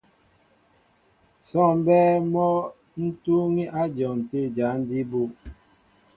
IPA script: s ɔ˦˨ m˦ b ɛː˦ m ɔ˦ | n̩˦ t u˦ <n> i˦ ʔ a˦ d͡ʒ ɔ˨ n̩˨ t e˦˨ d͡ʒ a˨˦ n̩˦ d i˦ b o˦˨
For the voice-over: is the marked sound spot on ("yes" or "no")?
no